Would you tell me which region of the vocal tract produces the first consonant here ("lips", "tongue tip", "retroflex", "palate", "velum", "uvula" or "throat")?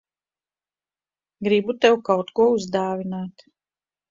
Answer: velum